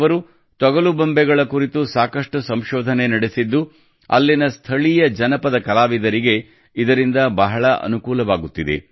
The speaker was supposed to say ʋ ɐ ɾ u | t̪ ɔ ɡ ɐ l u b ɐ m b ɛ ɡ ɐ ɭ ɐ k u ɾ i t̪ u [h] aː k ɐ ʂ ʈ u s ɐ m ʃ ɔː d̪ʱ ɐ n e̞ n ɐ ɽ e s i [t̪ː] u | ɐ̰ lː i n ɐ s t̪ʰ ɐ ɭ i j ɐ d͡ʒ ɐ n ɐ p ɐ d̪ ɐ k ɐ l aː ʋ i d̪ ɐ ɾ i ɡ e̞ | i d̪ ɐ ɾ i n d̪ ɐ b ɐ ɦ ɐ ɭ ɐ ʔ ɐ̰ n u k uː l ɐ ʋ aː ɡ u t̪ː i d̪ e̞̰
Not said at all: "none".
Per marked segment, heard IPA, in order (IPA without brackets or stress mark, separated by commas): s, d̪ː